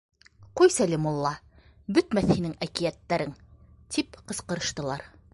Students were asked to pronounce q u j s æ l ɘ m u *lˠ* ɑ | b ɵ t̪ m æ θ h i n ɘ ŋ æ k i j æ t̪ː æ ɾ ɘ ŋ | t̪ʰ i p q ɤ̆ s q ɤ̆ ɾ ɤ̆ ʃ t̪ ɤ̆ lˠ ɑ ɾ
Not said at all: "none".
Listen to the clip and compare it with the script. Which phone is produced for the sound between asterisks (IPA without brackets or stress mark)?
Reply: lˠː